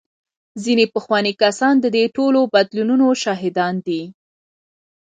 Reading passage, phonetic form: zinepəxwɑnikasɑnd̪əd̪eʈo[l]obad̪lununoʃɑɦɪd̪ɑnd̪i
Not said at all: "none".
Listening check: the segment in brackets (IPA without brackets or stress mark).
l